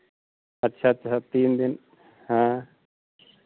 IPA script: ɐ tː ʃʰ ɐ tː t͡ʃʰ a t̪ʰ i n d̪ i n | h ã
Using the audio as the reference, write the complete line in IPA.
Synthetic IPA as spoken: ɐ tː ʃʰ a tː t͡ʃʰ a t̪ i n d̪ i n | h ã